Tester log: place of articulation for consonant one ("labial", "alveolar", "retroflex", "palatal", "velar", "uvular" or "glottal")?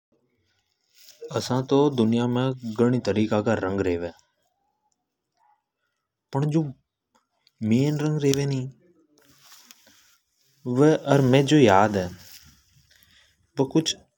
alveolar